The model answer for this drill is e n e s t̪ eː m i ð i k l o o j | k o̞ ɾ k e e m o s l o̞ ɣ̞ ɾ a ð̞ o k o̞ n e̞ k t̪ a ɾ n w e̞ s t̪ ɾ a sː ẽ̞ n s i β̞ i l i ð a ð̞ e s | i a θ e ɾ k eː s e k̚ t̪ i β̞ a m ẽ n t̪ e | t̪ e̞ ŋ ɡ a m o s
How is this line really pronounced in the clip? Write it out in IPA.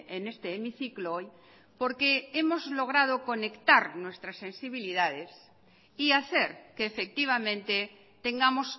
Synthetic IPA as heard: e n e s t̪ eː m i θ i k l o o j | p o̞ ɾ k e e m o z l o̞ ɣ̞ ɾ a ð̞ o k o̞ n e̞ k t̪ a ɾ n w e̞ s t̪ ɾ a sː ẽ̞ n s i β̞ i l i ð a ð̞ e s | i a θ e ɾ k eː f e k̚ t̪ i β̞ a m ẽ n t̪ e | t̪ e̞ ŋ ɡ a m o s